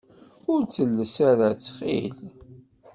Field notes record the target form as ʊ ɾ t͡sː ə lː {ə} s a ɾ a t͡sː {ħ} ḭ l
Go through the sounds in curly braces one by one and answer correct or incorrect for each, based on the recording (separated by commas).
correct, incorrect